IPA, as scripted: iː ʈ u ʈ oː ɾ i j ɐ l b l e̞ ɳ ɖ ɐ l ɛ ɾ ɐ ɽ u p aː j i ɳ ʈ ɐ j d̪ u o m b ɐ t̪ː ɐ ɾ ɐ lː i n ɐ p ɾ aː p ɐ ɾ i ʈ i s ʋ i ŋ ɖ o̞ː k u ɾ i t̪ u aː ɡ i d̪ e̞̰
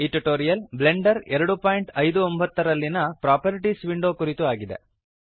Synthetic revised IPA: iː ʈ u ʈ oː ɾ i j ɐ l b l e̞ ɳ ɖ ɐ ɾ ɛ ɾ ɐ ɽ u p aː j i ɳ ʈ ɐ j d̪ u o m b ɐ t̪ː ɐ ɾ ɐ lː i n ɐ p ɾ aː p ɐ ɾ i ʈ i s ʋ i ɳ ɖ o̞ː k u ɾ i t̪ u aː ɡ i d̪ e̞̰